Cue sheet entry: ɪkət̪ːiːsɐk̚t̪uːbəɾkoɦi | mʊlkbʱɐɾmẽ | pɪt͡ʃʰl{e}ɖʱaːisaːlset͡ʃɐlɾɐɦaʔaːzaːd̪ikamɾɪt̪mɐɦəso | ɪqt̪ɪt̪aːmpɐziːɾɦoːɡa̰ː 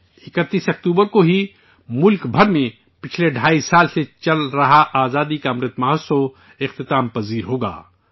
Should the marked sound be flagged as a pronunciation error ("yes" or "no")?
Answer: no